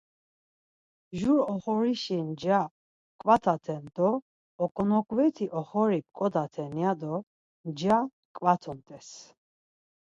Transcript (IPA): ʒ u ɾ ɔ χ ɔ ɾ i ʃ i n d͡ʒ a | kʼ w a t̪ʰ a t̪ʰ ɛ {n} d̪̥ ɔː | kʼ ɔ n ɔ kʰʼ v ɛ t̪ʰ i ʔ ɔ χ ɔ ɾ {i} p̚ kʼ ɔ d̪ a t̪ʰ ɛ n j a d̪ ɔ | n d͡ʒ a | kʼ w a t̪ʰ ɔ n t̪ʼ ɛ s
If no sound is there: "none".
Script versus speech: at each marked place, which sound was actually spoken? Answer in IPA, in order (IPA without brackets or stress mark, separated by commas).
n, i